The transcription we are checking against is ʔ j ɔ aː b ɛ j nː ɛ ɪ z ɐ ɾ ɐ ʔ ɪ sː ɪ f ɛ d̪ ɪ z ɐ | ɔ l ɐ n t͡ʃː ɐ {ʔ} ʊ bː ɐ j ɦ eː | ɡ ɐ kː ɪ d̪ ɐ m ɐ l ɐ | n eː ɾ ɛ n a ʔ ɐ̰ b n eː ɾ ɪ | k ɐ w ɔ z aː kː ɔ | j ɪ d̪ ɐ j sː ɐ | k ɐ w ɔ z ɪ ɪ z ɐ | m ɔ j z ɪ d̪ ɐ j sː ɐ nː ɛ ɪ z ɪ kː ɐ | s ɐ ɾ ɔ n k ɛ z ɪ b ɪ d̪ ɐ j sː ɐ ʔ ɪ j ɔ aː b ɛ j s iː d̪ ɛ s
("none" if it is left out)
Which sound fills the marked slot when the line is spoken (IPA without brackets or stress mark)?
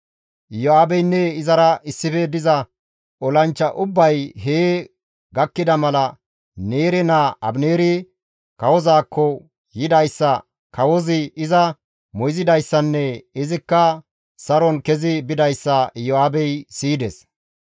ʔ